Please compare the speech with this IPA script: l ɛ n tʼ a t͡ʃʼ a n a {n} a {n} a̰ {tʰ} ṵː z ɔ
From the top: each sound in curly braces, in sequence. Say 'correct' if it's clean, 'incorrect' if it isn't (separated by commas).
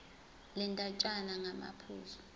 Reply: incorrect, incorrect, incorrect